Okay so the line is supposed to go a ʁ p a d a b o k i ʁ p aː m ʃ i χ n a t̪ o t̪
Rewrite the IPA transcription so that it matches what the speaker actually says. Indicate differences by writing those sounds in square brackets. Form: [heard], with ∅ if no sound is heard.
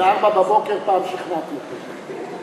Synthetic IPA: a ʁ [b] a [b] a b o k [e] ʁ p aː m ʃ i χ n a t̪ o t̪